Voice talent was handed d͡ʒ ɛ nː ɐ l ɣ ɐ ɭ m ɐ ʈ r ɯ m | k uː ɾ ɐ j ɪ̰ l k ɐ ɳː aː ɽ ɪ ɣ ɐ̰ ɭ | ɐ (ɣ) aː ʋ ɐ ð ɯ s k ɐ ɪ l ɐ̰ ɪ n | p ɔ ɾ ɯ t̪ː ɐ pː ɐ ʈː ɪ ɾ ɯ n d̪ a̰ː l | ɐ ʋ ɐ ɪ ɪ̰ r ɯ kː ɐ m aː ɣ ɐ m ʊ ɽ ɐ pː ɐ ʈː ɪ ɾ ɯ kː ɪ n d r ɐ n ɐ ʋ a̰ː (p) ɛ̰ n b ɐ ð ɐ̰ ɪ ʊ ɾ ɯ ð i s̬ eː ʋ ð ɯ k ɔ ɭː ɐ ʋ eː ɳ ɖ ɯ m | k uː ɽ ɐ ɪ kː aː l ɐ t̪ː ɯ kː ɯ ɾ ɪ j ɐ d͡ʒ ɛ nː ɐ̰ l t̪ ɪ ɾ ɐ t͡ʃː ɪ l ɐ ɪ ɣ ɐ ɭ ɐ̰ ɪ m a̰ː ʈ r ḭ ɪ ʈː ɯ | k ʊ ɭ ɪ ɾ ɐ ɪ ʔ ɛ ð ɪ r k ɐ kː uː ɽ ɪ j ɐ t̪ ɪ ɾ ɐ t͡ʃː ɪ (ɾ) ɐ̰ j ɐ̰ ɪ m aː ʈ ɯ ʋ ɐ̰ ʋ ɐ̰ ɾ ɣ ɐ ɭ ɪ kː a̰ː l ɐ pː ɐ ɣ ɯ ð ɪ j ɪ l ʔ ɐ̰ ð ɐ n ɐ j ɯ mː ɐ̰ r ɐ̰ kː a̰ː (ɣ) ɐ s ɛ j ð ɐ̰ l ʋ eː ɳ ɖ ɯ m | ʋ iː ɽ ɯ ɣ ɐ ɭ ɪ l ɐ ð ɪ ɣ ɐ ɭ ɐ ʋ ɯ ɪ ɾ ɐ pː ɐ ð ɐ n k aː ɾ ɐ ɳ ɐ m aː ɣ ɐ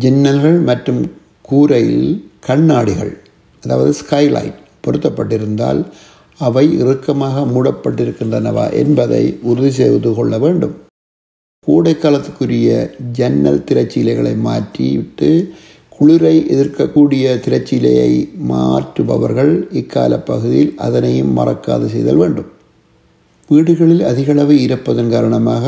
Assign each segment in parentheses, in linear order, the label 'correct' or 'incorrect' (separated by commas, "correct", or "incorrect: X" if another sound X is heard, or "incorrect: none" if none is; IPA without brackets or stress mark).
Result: incorrect: ð, incorrect: ʔ, incorrect: l, incorrect: ð